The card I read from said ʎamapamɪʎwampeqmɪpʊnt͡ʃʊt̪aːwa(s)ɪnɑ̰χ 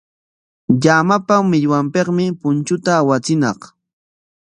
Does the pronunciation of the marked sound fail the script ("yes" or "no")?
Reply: yes